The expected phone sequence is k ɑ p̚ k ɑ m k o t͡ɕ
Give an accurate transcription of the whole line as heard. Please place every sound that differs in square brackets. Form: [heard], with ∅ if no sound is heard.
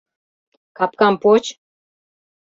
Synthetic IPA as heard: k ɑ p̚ k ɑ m [p] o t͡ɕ